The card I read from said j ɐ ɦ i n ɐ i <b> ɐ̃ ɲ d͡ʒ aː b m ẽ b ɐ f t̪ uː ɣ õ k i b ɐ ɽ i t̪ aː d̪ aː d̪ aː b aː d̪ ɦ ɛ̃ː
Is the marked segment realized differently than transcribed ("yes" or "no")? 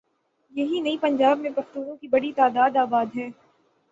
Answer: yes